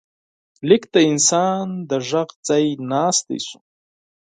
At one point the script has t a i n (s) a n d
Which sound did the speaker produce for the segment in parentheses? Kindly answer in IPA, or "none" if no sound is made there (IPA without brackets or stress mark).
s